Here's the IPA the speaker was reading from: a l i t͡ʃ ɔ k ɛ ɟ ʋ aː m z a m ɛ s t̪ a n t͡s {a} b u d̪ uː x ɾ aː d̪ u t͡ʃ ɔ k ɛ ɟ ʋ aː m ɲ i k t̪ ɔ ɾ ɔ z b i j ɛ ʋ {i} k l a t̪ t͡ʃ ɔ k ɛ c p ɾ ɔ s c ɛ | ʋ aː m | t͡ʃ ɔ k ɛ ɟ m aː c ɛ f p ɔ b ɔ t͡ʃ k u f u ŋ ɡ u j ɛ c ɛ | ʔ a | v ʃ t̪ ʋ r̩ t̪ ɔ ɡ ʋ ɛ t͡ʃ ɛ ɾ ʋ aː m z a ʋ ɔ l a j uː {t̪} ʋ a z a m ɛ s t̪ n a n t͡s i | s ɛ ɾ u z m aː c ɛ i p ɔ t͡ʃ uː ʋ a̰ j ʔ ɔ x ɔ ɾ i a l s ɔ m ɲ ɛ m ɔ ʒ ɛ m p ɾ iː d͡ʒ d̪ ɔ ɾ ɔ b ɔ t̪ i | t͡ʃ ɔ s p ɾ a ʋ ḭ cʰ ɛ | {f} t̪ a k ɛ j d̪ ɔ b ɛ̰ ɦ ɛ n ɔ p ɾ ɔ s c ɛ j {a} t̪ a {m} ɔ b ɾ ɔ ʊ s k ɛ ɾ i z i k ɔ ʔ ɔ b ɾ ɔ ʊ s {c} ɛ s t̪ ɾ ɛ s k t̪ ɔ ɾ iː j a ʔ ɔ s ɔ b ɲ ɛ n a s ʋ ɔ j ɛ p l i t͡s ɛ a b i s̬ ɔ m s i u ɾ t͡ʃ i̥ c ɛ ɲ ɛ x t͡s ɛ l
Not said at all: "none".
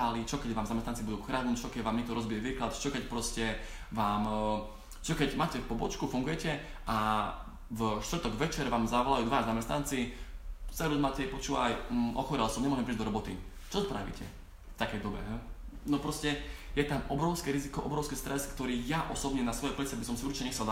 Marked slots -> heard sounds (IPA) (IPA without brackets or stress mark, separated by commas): i, iː, d̪, f, ɛ, m, k